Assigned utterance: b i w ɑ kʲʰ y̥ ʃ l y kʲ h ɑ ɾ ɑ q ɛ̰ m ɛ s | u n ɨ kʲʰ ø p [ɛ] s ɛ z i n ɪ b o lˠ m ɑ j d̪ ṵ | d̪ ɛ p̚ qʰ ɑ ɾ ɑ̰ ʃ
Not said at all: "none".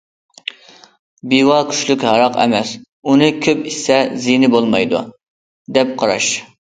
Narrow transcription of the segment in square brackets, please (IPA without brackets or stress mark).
i